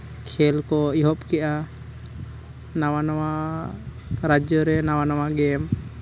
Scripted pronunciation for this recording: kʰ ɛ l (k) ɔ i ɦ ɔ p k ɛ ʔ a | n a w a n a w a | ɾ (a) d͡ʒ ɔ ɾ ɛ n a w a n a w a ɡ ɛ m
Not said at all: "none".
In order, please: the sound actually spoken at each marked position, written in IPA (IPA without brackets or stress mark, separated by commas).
k, a